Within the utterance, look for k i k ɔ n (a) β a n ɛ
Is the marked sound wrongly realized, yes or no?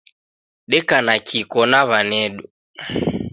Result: no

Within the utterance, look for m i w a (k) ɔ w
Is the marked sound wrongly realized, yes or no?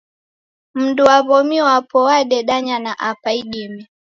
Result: yes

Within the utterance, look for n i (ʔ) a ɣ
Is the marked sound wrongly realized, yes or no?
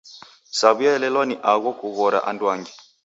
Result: no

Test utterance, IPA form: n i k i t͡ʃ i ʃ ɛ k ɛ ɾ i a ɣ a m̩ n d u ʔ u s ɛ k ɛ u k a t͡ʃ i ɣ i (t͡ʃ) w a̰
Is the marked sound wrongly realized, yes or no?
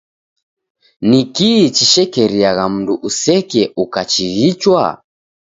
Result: no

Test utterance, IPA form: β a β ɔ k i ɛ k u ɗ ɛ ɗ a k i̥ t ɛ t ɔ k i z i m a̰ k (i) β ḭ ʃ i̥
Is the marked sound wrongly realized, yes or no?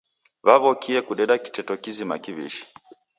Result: no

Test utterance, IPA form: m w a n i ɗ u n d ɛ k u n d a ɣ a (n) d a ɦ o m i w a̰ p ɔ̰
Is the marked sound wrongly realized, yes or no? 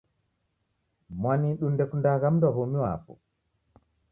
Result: yes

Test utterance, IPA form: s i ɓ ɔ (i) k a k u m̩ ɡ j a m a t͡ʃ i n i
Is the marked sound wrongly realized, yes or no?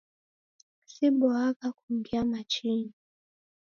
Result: yes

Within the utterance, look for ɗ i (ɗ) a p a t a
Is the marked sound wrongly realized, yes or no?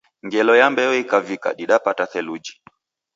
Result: no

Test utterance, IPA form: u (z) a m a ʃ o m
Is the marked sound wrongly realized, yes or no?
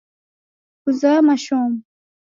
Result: no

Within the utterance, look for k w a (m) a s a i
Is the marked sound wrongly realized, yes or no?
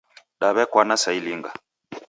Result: yes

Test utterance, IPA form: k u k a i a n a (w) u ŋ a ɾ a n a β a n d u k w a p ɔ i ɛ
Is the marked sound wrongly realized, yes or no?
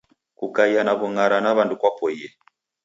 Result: yes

